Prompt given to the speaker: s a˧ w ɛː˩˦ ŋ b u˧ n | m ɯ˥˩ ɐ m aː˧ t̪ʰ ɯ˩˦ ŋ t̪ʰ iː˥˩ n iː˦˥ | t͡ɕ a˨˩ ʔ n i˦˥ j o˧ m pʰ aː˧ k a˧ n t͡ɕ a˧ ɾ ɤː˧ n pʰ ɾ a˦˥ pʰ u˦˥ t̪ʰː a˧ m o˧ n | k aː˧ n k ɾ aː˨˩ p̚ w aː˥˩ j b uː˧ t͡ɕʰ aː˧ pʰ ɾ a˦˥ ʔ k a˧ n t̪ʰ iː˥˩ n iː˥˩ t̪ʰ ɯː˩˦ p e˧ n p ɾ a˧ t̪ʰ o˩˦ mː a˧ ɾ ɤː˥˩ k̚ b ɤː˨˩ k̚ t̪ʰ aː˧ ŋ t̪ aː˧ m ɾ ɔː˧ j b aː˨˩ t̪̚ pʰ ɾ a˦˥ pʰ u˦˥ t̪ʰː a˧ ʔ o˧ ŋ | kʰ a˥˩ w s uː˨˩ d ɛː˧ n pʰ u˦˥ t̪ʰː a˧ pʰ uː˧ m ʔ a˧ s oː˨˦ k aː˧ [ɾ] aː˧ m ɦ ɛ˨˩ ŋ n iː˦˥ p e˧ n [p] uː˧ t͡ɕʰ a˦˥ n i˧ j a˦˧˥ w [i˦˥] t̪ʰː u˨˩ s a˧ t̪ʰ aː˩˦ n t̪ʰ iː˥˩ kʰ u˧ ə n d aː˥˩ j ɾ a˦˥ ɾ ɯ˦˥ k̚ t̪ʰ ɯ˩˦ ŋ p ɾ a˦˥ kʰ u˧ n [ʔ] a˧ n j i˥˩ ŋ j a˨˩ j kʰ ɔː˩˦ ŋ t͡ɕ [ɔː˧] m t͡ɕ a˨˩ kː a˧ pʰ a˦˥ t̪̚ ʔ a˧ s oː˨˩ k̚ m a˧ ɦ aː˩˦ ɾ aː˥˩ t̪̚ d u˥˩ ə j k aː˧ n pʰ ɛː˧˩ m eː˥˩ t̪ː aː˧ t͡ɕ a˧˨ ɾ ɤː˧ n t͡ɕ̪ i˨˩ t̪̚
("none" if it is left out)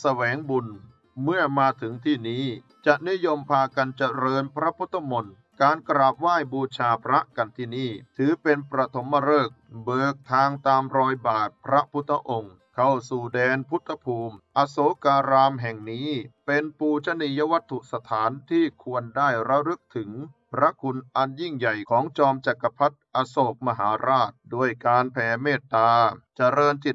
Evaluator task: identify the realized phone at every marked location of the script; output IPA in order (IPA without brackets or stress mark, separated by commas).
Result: ɾ, p, a˦˥, ʔ, ɔː˧